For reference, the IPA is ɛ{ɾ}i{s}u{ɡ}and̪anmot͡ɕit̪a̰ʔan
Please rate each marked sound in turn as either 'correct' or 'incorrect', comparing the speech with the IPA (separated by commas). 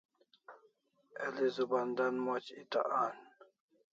incorrect, incorrect, incorrect